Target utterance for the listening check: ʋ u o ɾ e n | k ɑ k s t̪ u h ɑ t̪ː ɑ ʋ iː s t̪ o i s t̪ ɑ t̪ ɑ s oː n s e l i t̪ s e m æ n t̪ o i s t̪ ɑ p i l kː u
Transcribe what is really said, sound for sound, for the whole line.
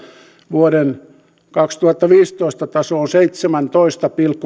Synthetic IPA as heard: ʋ u o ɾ e n | k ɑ k s t̪ u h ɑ t̪ː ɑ ʋ iː s t̪ o i s t̪ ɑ t̪ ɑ s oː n s e i t̪ s e m æ n t̪ o i s t̪ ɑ p i l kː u